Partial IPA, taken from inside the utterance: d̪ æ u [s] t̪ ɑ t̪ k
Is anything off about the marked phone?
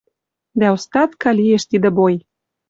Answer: no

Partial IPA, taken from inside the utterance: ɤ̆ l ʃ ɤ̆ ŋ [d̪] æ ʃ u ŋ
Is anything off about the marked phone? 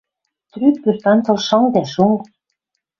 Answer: no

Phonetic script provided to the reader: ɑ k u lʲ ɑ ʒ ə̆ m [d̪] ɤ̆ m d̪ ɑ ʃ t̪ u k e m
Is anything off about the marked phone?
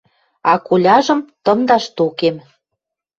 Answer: yes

